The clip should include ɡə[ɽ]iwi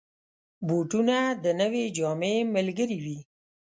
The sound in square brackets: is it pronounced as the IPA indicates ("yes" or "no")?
no